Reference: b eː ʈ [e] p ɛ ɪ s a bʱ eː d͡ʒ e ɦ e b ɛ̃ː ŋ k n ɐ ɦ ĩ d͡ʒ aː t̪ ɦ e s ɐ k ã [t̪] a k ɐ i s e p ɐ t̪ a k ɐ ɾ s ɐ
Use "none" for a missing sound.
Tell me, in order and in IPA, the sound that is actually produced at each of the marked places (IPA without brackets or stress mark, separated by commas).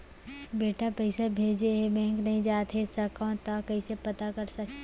a, t̪